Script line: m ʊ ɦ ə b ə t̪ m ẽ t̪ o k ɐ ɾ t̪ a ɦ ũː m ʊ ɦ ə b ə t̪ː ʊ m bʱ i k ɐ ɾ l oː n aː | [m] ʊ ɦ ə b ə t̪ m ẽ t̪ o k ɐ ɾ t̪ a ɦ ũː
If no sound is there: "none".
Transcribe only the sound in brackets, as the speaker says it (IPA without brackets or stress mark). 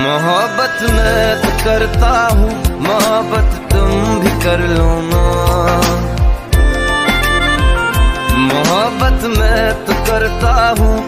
m